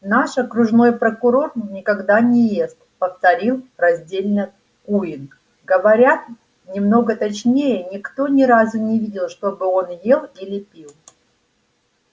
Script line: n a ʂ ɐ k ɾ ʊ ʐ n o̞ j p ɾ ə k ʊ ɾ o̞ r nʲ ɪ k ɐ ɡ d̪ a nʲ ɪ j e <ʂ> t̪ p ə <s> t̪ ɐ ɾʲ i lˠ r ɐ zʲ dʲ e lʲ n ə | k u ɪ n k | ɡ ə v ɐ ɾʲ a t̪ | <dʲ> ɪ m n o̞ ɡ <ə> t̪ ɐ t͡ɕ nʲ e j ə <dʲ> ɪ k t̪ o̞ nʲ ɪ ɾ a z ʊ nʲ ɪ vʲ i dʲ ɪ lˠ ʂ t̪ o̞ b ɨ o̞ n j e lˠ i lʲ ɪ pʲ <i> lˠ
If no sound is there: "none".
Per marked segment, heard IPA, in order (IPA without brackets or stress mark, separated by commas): s, f, nʲ, ə, nʲ, i